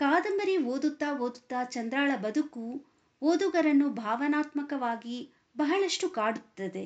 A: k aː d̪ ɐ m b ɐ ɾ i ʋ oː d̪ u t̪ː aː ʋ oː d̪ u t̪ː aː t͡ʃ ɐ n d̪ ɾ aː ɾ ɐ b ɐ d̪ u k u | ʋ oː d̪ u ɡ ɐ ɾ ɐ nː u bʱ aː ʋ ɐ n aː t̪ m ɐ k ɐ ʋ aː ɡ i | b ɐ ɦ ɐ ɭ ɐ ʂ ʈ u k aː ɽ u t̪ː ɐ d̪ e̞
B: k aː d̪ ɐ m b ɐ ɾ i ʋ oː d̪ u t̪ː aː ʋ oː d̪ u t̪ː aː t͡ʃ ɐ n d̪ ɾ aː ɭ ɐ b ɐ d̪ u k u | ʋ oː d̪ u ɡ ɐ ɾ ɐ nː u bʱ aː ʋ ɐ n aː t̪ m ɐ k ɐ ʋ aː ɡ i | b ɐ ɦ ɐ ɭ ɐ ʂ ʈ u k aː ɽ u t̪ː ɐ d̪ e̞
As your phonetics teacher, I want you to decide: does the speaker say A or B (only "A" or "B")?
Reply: B